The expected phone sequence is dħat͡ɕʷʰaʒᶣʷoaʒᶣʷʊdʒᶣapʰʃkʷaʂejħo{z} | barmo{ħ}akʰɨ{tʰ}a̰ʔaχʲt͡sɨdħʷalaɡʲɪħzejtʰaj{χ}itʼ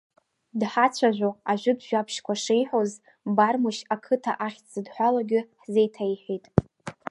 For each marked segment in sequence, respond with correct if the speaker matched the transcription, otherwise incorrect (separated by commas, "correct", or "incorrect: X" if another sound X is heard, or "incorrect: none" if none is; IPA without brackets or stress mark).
correct, incorrect: ʃ, correct, incorrect: ħ